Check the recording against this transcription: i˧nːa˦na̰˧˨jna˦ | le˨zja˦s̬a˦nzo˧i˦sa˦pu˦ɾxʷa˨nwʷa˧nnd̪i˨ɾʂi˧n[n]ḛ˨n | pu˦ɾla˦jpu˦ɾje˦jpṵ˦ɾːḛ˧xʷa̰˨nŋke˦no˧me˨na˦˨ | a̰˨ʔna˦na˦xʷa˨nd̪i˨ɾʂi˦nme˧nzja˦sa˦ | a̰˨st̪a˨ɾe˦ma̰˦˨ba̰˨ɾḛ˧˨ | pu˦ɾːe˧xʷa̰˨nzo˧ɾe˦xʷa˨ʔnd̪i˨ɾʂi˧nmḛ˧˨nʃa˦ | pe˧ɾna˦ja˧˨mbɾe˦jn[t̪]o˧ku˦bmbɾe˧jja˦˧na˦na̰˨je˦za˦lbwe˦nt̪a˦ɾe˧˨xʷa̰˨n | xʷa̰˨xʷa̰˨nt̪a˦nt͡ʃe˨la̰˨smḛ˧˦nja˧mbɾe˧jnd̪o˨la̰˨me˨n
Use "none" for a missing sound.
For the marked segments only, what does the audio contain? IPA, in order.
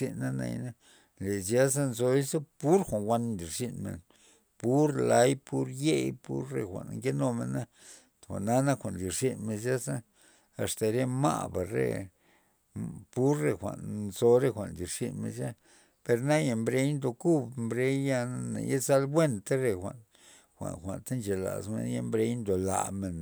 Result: m, d̪

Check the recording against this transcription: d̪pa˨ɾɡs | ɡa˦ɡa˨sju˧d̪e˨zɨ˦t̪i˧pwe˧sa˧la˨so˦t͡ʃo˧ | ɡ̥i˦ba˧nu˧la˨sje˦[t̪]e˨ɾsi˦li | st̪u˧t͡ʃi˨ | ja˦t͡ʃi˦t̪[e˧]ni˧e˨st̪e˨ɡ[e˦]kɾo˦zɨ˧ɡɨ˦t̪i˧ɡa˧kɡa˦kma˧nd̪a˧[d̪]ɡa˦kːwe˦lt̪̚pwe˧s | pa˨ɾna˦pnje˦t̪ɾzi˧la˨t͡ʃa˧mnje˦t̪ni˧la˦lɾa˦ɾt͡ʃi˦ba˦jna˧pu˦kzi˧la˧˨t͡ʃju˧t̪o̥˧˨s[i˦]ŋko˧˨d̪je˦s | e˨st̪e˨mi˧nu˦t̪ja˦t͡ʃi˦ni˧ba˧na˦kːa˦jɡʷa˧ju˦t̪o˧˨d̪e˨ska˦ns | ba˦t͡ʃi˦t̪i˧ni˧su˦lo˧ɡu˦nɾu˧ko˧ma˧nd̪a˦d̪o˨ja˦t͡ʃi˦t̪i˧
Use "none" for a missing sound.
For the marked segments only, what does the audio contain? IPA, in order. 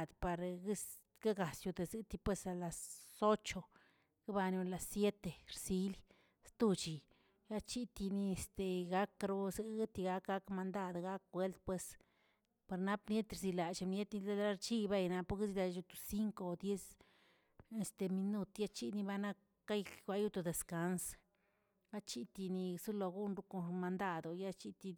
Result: t̪, i˧, a˦, d̪, i˦

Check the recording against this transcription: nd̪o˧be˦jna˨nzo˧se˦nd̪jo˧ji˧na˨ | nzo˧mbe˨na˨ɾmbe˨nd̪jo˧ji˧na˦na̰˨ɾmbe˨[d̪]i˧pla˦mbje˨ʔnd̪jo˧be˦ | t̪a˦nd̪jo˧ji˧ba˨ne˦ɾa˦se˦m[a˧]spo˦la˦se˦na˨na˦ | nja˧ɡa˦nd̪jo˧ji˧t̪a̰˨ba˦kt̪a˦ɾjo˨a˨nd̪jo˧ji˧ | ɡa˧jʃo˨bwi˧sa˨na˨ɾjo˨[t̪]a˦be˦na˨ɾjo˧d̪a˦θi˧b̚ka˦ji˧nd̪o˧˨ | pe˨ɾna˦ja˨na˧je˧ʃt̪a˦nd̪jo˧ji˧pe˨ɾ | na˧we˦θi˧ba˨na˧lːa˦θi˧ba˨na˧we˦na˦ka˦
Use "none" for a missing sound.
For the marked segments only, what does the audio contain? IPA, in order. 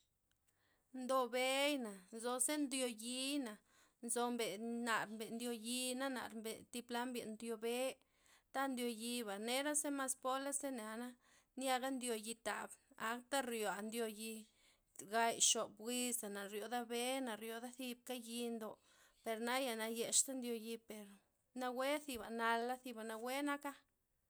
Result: t̪, a˧, d̪

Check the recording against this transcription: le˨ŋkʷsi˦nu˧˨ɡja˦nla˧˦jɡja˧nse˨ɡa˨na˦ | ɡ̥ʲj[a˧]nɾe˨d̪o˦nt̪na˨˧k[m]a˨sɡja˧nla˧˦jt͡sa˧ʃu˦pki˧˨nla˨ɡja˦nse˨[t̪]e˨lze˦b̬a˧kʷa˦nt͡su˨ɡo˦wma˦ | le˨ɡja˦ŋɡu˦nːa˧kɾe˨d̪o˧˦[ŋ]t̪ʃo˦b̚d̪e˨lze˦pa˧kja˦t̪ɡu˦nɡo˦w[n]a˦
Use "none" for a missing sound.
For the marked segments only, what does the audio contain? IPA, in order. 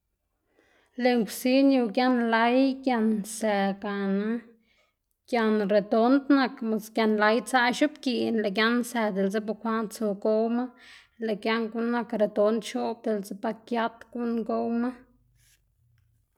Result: a˧, m, d̪, n, m

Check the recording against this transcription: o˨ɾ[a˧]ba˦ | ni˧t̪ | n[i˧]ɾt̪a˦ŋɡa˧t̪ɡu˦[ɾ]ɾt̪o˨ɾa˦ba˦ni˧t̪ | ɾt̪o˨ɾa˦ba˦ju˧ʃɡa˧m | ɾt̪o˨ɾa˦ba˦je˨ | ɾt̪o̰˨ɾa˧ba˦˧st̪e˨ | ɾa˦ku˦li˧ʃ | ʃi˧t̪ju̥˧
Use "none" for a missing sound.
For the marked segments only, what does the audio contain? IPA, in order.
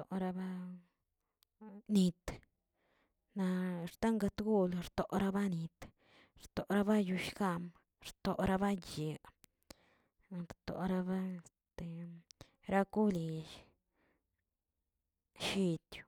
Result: a˧, a˧, l

